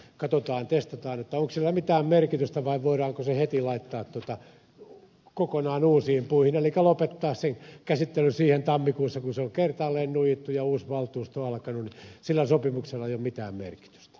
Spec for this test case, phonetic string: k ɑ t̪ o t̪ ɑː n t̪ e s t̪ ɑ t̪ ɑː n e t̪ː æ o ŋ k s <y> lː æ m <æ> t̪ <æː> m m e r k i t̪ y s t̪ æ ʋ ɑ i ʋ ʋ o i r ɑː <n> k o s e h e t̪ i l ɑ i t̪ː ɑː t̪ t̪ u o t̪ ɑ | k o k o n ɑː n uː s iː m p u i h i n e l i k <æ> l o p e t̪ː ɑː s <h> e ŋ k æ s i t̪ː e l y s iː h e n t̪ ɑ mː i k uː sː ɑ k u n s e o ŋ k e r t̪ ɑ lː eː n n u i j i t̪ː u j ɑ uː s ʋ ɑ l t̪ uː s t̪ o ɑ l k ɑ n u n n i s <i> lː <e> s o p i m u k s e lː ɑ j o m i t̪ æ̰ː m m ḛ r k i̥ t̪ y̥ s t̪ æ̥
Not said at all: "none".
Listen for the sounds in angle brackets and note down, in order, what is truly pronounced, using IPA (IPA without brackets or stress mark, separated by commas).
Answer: i, i, æː, ŋ, æ, s, i, æ